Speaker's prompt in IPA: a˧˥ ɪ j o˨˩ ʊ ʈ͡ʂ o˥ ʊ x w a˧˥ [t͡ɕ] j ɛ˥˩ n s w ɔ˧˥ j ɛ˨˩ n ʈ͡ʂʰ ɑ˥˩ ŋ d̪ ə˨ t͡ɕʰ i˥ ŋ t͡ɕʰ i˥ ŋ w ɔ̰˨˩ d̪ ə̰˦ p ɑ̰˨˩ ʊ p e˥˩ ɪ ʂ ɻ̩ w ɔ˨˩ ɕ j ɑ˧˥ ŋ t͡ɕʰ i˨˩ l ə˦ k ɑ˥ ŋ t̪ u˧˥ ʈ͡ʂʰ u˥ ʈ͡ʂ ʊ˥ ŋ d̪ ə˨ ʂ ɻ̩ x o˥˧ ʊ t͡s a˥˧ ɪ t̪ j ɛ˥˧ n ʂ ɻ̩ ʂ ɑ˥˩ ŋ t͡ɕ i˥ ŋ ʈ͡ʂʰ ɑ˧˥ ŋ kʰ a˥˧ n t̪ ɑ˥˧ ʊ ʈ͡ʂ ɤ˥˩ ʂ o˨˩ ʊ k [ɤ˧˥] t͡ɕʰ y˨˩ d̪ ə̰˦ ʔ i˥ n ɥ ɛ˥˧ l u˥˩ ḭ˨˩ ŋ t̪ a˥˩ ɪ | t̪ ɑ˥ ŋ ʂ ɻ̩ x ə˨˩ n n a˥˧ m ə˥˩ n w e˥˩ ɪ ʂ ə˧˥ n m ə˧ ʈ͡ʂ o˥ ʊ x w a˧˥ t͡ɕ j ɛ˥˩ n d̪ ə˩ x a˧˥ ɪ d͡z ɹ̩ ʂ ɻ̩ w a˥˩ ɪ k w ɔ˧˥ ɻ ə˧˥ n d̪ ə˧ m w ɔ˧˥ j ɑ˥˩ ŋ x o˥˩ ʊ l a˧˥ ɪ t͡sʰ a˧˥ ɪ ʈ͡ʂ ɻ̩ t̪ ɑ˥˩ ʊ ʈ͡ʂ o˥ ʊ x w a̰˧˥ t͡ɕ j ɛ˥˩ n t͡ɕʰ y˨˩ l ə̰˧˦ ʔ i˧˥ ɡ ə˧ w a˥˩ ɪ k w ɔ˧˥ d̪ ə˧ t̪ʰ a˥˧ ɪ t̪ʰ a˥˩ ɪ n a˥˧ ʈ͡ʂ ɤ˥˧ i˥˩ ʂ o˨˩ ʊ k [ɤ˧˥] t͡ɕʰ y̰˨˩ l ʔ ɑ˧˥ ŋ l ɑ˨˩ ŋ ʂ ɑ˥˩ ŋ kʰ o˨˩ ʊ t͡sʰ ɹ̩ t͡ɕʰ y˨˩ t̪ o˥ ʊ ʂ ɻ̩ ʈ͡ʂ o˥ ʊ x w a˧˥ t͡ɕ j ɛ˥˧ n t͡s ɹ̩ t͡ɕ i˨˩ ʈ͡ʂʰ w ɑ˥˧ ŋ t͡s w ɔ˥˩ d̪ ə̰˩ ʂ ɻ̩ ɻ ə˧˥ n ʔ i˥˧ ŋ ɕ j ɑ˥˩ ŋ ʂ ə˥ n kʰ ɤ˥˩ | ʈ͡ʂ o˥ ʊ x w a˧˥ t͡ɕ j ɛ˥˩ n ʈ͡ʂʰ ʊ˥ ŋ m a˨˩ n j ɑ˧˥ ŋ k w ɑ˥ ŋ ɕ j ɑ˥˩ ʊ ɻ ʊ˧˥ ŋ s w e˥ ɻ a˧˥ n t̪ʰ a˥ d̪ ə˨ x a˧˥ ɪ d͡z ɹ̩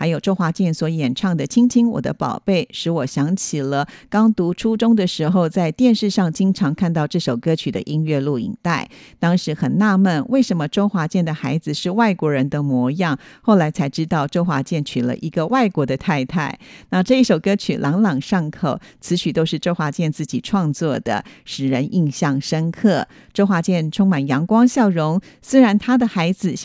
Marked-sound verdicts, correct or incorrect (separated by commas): correct, incorrect, incorrect